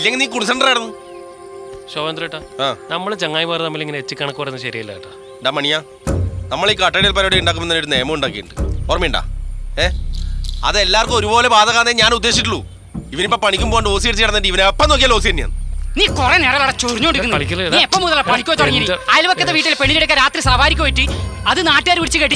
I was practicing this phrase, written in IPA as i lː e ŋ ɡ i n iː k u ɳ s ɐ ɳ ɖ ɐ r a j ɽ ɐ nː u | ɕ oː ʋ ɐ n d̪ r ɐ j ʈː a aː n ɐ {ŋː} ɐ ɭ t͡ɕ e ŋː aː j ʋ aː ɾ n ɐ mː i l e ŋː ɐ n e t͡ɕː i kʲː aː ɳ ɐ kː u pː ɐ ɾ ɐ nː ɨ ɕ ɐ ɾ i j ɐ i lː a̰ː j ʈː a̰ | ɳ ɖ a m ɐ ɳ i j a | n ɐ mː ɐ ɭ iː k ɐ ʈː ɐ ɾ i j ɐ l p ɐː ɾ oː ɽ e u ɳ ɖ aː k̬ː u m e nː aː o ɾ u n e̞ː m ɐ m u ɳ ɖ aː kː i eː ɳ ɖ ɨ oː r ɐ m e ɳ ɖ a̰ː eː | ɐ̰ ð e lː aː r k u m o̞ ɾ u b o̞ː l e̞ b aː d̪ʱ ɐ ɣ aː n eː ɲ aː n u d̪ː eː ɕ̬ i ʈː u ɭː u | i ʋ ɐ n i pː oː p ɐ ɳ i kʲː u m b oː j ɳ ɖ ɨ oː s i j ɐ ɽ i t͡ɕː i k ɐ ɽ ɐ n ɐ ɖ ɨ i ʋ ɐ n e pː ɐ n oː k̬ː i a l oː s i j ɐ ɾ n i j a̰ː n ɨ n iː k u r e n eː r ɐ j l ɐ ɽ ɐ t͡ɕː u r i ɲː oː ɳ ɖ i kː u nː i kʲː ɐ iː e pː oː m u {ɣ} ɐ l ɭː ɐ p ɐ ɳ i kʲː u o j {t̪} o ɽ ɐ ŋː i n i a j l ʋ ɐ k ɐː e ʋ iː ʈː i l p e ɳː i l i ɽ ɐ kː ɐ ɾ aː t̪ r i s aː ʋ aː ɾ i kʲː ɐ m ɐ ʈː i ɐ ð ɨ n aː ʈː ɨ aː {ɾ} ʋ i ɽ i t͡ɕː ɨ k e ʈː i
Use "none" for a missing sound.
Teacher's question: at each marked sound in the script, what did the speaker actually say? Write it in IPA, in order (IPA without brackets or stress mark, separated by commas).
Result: mː, ð, t̪, ɾ